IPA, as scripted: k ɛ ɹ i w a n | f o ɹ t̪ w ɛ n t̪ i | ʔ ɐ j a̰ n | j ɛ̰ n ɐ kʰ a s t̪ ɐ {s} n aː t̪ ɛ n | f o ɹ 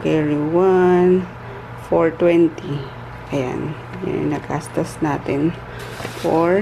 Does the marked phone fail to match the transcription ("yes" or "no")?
no